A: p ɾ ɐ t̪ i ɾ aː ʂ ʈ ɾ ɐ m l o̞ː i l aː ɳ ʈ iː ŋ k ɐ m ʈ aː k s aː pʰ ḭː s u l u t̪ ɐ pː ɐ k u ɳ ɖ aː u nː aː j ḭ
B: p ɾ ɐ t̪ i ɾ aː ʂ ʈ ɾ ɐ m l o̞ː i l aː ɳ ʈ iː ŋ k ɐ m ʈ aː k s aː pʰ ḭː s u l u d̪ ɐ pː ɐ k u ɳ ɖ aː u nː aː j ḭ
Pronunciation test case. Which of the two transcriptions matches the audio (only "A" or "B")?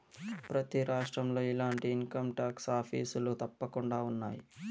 A